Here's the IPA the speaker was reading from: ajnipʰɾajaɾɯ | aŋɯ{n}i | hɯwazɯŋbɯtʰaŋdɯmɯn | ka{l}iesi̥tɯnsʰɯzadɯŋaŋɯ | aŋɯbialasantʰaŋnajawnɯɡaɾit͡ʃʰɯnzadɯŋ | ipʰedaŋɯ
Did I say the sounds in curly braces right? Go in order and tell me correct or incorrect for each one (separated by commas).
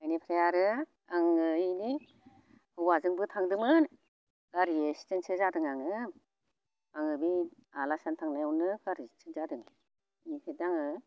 correct, incorrect